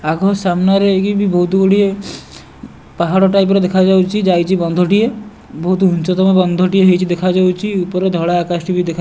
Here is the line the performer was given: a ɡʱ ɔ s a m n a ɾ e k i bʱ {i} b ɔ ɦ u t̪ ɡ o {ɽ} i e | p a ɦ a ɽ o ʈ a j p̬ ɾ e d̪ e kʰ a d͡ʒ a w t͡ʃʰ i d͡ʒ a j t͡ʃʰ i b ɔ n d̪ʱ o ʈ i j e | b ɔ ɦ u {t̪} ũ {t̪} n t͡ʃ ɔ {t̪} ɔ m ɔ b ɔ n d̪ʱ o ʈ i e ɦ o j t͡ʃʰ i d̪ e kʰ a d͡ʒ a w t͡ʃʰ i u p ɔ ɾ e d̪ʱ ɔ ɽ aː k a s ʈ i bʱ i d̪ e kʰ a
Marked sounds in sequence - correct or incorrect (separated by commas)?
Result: correct, correct, correct, incorrect, correct